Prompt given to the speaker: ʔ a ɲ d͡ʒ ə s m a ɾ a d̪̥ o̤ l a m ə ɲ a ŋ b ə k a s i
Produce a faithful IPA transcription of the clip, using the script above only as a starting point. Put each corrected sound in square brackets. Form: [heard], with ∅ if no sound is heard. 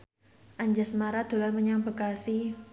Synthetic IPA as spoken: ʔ a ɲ d͡ʒ [a] s m a ɾ a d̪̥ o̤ l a m ə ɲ a ŋ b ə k a s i